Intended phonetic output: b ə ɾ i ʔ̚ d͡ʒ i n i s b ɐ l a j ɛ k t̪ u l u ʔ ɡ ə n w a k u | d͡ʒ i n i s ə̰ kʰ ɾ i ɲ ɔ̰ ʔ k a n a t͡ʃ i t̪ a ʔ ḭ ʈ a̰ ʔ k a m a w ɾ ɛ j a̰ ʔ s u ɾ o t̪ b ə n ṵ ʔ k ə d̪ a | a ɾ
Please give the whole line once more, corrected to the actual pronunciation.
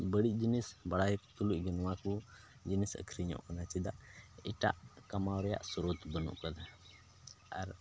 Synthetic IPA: b ə ɽ i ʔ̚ d͡ʒ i n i s b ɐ ɽ a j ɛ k t̪ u l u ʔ ɡ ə n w a k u | d͡ʒ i n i s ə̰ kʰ ɾ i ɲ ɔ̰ ʔ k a n a t͡ʃ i d̪ a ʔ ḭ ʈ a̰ ʔ k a m a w ɾ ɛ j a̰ ʔ s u ɾ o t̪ b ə n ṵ ʔ k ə d̪ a | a ɾ